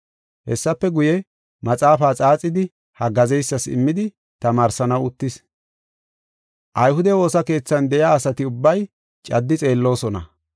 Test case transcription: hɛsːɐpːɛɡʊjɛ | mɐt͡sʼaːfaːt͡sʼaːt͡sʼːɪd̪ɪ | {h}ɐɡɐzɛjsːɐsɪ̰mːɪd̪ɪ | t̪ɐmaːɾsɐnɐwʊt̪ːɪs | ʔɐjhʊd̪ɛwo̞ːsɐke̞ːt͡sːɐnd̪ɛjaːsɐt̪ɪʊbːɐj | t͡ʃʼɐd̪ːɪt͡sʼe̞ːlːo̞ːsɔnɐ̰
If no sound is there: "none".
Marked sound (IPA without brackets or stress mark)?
h